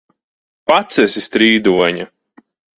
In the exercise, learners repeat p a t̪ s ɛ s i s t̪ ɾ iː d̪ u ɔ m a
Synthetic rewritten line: p a t̪ s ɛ s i s t̪ ɾ iː d̪ u ɔ ɲ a